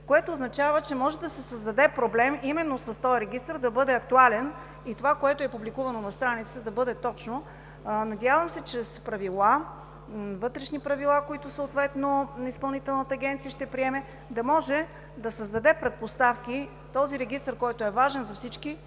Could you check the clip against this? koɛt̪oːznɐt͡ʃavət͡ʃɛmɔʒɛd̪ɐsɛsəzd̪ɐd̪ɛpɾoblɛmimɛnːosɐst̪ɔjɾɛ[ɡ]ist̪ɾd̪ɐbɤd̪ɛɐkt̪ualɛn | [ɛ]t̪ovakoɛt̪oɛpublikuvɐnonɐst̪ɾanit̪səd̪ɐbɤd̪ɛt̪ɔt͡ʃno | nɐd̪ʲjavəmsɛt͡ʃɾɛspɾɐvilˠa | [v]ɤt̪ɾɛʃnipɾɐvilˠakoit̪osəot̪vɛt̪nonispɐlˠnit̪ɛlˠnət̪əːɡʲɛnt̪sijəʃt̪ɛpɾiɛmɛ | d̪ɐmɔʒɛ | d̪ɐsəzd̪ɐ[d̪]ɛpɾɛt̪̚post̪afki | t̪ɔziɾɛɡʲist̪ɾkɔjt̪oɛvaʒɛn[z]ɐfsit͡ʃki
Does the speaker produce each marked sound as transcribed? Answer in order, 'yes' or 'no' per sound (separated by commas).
yes, no, yes, yes, yes